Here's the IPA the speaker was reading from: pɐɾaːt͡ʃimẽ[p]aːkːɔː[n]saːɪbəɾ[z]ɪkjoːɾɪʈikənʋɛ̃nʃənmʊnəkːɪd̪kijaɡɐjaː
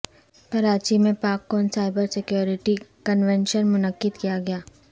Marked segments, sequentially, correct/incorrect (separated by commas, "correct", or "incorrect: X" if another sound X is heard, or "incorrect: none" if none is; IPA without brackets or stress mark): correct, correct, incorrect: s